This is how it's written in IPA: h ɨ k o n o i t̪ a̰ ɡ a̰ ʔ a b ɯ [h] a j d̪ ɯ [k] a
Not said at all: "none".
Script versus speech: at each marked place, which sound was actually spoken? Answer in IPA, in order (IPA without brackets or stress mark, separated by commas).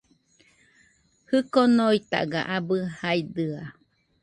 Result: h, none